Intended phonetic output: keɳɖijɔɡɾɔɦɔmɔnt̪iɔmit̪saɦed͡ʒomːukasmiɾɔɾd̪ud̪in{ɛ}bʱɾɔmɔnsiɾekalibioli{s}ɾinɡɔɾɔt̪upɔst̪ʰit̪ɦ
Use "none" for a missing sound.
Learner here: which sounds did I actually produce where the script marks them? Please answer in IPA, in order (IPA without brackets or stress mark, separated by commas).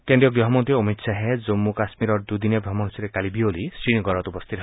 e, s